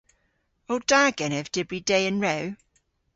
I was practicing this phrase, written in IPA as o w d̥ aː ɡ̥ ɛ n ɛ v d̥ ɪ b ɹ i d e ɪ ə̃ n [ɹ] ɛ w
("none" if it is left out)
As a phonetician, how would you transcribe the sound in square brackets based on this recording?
ɹ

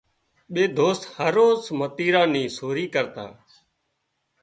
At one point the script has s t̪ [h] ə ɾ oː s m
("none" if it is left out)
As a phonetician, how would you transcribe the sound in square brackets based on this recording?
h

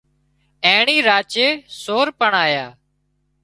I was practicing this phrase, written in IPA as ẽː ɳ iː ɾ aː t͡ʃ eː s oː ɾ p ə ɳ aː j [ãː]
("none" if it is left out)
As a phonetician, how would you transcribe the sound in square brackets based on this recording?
aː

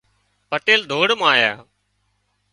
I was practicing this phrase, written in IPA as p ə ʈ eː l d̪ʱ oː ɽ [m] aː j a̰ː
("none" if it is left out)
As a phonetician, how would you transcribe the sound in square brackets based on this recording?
m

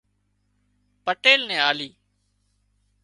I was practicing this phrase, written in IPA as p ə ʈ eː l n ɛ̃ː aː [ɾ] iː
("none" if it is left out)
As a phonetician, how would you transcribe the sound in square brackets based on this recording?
l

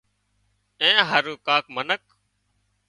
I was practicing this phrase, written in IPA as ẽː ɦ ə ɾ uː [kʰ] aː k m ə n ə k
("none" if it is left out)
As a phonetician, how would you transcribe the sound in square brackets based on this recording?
k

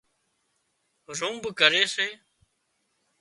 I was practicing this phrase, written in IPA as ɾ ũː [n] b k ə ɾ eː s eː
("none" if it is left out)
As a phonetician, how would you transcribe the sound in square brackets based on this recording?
m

